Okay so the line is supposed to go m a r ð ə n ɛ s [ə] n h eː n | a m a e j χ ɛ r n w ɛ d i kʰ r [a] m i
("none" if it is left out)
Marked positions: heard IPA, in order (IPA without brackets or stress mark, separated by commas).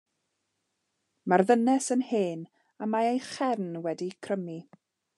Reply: ə, ə